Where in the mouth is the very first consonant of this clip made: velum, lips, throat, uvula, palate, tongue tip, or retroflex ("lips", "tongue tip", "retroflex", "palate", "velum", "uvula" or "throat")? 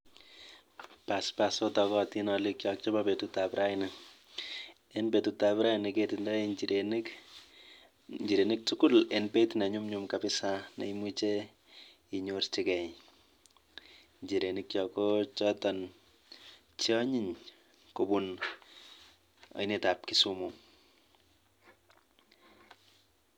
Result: lips